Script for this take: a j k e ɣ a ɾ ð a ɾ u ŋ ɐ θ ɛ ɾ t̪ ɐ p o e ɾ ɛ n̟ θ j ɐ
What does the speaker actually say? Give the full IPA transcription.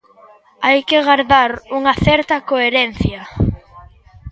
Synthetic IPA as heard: a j k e ɣ a ɾ ð a ɾ u ŋ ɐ θ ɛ ɾ t̪ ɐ k o e ɾ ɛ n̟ θ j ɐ